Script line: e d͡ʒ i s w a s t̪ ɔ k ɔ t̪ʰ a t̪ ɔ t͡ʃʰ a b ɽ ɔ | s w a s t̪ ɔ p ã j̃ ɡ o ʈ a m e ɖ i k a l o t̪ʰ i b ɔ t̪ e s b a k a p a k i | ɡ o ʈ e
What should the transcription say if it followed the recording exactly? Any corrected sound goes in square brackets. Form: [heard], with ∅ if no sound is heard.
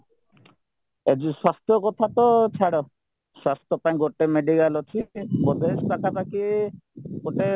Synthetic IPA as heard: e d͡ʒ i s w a s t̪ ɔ k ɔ t̪ʰ a t̪ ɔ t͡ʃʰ a [∅] ɽ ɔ | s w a s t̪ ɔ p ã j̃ ɡ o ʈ [e] m e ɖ i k a l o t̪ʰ i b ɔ [d̪] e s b a k a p a k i | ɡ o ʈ e